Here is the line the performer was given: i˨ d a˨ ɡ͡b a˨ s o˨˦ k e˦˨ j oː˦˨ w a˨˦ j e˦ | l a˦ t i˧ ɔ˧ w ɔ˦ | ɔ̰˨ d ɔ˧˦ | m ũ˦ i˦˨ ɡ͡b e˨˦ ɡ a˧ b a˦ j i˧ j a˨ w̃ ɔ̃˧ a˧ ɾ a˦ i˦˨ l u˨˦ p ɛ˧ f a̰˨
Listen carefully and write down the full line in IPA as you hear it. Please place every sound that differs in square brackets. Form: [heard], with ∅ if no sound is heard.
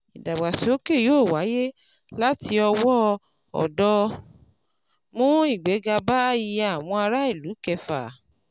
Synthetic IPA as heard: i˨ d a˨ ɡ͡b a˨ s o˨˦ k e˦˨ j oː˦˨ w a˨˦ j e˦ | l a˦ t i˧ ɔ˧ w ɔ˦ | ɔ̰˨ d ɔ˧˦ | m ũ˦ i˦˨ ɡ͡b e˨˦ ɡ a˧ b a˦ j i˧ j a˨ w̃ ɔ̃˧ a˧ ɾ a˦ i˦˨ l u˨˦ [k] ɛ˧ f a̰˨